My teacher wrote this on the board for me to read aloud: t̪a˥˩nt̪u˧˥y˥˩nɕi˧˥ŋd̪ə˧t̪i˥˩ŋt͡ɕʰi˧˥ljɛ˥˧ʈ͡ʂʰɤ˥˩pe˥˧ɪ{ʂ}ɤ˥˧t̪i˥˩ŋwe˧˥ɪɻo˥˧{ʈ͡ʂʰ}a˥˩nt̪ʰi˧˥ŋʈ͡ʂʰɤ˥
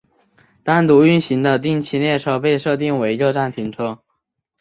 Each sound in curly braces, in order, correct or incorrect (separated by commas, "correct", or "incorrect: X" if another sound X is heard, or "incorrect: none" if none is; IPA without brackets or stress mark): correct, incorrect: ʈ͡ʂ